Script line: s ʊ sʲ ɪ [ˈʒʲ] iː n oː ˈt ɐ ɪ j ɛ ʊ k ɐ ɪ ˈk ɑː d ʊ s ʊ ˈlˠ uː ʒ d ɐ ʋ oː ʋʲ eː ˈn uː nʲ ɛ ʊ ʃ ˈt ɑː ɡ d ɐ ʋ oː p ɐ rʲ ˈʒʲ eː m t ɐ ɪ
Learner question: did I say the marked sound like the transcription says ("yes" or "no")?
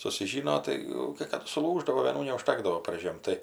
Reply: yes